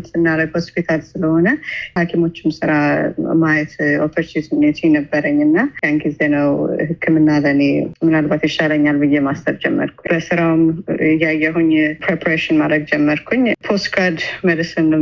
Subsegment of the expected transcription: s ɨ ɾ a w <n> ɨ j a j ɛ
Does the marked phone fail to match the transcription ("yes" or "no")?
yes